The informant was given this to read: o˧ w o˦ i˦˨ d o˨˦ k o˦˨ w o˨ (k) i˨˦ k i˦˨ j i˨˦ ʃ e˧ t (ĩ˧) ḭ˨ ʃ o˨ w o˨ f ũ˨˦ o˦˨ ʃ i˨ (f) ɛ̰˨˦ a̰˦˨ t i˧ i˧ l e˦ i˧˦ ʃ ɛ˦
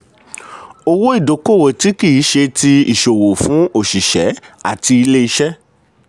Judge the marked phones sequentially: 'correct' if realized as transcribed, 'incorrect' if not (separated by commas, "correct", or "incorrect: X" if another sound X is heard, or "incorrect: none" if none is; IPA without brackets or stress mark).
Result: incorrect: t, incorrect: i˧, incorrect: ʃ